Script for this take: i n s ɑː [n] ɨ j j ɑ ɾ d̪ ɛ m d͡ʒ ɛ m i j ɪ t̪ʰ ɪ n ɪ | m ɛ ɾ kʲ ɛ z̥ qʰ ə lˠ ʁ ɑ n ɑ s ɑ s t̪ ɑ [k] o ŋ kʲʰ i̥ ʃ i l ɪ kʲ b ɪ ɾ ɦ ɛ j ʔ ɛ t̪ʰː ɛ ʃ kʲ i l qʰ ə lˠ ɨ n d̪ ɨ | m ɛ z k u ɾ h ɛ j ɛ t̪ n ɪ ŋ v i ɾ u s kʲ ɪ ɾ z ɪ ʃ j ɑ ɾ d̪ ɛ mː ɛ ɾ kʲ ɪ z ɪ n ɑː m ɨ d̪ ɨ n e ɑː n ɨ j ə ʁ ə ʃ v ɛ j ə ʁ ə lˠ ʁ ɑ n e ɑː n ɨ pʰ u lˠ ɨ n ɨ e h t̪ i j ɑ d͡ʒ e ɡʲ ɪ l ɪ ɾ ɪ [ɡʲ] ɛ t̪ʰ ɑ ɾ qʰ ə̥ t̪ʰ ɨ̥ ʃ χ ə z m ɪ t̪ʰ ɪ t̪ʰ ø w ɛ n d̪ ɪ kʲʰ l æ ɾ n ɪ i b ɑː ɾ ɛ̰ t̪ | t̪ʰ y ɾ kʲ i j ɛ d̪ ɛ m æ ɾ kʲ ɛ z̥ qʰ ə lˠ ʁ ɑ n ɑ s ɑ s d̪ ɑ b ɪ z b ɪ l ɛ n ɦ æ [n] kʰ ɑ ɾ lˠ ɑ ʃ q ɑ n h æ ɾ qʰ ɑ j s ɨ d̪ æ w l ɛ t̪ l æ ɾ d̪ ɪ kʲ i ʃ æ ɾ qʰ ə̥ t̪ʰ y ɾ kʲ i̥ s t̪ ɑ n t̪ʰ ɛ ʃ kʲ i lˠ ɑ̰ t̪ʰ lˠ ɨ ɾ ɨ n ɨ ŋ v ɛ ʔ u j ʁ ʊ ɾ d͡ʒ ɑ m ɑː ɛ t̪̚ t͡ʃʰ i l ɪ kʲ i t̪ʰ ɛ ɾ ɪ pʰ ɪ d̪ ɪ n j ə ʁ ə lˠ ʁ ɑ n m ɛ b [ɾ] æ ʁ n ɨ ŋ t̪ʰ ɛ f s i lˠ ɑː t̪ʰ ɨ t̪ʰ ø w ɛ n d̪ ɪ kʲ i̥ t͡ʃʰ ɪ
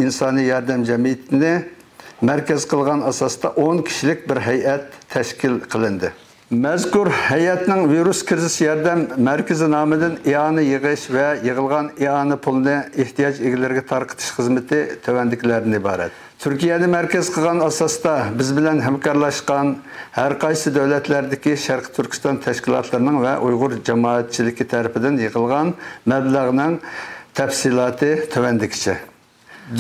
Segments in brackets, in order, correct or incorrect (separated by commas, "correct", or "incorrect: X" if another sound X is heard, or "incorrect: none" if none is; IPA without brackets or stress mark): correct, incorrect: ʔ, correct, incorrect: m, incorrect: l